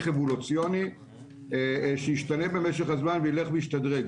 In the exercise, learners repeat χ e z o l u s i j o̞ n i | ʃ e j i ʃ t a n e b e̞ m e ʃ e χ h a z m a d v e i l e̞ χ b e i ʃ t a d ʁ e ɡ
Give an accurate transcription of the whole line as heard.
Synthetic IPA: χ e v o l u t͡s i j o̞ n i | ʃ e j i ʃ t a n e b e̞ m e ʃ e χ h a z m a n v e i l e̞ χ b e i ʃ t a d ʁ e ɡ